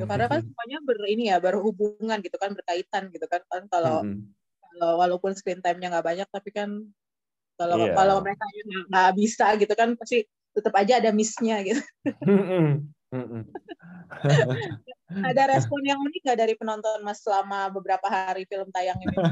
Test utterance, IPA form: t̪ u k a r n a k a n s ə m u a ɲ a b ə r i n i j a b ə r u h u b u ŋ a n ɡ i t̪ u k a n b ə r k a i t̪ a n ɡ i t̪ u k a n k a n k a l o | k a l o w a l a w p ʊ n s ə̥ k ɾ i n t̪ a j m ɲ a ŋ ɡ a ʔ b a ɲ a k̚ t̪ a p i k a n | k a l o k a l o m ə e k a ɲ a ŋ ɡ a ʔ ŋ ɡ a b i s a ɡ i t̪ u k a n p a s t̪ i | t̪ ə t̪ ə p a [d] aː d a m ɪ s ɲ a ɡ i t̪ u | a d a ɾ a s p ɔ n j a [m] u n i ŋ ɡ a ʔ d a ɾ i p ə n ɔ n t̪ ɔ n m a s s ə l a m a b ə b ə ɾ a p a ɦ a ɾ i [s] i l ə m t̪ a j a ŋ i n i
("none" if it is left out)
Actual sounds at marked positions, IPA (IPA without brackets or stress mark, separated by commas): d͡ʒ, ŋ, f